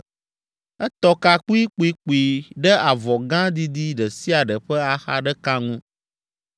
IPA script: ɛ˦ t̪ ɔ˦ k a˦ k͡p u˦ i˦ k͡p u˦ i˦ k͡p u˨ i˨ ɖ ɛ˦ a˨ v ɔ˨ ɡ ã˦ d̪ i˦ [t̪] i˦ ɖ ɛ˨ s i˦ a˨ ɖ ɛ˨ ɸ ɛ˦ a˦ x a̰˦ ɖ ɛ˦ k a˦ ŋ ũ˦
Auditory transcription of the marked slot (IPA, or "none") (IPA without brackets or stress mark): d̪